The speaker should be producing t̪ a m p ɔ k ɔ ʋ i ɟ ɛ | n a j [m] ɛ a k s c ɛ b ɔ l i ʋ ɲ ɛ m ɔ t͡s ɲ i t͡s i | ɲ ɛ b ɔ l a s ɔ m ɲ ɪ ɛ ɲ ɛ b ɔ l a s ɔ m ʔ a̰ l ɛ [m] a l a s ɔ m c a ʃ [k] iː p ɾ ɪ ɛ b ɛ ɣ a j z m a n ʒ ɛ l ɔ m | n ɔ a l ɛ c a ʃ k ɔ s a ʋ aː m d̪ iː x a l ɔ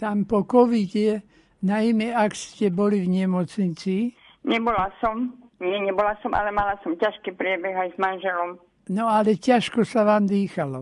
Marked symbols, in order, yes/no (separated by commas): yes, yes, yes